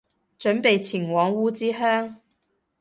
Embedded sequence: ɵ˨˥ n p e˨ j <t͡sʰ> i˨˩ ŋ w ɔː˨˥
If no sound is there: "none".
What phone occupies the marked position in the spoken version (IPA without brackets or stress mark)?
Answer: t͡sʰ